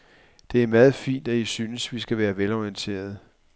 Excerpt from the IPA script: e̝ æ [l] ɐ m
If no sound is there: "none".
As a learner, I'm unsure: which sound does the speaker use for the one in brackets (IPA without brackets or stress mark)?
none